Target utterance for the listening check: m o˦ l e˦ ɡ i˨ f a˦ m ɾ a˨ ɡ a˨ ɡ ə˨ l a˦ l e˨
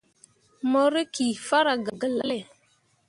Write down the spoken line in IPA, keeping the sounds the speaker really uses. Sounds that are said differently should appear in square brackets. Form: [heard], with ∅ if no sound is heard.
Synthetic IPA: m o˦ [ɾ] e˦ [k] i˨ f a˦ [∅] ɾ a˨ ɡ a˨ ɡ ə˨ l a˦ l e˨

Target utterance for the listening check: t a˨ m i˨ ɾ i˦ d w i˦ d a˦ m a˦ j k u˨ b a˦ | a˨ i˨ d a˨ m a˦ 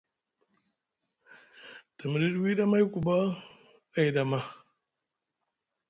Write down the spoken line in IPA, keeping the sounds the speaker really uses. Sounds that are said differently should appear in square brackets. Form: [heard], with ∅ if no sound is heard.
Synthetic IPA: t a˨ m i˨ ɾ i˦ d w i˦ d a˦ m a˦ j k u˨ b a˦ | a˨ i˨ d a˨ m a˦

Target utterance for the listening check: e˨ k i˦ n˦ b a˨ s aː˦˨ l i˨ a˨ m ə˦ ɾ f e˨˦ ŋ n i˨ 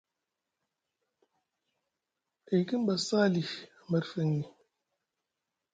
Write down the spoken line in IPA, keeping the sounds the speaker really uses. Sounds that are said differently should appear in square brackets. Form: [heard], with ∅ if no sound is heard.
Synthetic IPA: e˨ k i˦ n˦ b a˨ s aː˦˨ l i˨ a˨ m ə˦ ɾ f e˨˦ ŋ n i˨

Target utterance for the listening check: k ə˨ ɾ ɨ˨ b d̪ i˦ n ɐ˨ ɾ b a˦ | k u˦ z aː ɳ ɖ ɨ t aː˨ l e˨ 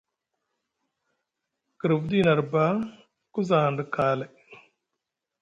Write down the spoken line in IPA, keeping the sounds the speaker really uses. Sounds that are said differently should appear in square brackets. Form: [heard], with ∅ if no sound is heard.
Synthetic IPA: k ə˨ ɾ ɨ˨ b d̪ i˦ n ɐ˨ ɾ b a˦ | k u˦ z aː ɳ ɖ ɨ [k] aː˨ l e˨

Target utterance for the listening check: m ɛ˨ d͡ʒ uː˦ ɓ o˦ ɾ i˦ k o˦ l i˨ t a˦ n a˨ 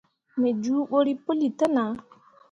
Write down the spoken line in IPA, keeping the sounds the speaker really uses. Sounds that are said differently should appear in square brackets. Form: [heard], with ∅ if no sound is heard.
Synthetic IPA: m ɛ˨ d͡ʒ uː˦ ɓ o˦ ɾ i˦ [p] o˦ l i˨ t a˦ n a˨

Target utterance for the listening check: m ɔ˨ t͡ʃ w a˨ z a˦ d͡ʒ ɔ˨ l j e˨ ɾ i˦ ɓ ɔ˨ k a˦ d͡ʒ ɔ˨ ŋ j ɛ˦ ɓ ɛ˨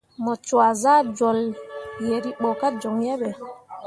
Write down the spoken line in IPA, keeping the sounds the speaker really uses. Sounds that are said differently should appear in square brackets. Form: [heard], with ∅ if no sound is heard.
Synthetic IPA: m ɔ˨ t͡ʃ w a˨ z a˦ d͡ʒ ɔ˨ l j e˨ ɾ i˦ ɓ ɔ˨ k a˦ d͡ʒ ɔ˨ ŋ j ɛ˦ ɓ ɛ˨

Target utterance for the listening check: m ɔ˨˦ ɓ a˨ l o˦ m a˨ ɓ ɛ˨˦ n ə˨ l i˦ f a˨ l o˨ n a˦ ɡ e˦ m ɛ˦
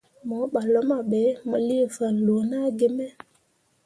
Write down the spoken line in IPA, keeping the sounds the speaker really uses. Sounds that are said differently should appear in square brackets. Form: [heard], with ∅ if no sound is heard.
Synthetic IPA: m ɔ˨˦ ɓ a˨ l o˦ m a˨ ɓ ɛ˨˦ [m] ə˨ l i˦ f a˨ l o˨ n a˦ ɡ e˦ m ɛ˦

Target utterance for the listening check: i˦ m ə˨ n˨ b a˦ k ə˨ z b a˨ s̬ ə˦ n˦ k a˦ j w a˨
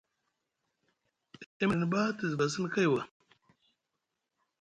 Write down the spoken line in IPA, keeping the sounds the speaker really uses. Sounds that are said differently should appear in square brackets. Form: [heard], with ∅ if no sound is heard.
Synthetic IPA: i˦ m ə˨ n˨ b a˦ [t] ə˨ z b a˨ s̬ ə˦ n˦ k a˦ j w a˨

